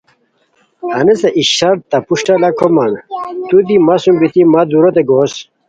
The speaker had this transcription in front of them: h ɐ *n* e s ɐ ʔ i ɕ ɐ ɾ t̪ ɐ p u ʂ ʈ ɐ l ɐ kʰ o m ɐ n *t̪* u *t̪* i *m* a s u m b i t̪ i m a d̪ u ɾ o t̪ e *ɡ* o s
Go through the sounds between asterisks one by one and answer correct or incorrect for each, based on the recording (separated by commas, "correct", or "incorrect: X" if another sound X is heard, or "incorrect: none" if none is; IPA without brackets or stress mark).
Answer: correct, correct, incorrect: d̪, correct, correct